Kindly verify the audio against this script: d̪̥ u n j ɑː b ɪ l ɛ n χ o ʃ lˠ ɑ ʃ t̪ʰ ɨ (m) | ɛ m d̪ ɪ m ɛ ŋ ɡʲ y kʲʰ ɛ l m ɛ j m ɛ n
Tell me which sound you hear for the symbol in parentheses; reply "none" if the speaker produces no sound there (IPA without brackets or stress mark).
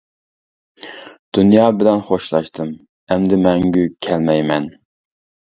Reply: m